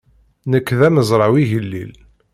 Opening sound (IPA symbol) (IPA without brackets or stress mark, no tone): n